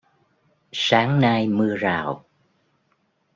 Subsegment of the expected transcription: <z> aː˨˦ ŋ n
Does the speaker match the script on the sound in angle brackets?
no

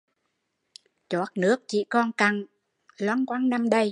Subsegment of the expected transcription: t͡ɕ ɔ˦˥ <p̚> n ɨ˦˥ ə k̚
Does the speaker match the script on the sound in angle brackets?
no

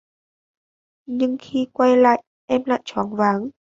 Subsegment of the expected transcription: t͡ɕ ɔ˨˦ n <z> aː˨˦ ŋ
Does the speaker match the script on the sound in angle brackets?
no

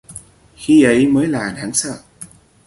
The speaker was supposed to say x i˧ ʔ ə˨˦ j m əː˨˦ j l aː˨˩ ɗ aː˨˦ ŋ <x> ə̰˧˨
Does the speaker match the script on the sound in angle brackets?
no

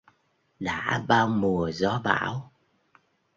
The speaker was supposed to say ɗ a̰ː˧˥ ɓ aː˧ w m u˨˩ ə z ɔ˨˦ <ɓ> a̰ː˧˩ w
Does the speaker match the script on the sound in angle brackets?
yes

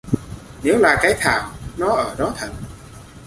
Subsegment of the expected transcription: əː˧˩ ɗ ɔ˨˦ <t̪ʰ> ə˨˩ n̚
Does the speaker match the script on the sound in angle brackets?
yes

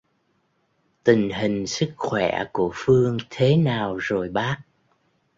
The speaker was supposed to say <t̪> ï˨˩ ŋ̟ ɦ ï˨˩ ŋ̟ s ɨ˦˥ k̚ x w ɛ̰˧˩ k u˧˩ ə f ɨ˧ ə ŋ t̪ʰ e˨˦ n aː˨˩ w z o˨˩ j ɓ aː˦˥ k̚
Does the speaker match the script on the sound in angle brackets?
yes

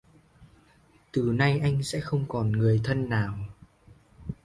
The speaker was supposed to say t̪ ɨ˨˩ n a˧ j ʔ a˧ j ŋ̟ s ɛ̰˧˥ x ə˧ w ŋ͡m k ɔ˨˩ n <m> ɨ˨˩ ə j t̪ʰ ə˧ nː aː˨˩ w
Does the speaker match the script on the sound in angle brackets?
no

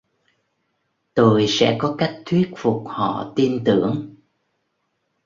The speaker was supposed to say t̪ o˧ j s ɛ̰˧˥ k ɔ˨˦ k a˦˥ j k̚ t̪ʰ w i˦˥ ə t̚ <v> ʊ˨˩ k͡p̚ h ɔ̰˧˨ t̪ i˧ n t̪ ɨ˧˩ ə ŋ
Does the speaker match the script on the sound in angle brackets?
no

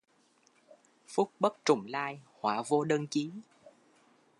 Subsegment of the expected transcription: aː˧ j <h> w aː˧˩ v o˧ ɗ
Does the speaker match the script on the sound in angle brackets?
yes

